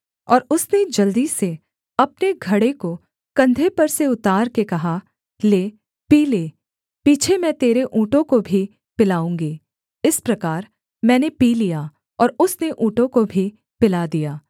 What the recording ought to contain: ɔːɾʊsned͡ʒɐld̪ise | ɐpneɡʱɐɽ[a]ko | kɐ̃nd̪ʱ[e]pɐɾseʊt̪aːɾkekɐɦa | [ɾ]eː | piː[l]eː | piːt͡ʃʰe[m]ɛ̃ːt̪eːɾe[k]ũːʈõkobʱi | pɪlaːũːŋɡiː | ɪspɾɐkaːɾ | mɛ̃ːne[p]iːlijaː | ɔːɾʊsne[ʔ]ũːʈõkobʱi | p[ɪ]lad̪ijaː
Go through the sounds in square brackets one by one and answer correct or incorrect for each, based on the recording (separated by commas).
incorrect, correct, incorrect, correct, correct, incorrect, correct, correct, correct